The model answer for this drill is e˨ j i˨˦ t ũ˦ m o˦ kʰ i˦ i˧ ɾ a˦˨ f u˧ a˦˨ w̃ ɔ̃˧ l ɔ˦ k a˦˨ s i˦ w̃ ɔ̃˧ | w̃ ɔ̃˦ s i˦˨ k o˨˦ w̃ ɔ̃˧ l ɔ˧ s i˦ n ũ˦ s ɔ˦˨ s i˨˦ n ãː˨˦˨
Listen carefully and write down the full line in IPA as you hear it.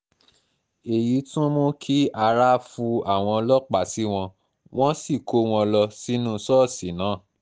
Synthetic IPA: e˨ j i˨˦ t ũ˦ m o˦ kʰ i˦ a˧ ɾ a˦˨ f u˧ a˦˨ w̃ ɔ̃˧ l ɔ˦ k͡p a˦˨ s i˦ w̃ ɔ̃˧ | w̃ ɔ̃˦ s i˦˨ k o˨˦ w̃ ɔ̃˧ l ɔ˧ s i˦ n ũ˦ s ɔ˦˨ s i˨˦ n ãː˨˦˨